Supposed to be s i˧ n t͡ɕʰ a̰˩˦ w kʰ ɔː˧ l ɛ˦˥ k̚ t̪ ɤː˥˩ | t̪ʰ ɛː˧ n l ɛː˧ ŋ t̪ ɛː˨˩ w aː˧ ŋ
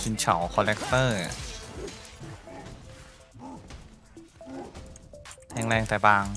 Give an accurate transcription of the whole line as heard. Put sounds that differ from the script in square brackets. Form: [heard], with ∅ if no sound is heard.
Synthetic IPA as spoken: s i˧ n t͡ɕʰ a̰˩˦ w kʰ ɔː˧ l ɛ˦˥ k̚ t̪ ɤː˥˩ | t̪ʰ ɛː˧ [ŋ] l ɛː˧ ŋ t̪ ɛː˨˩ [b] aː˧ ŋ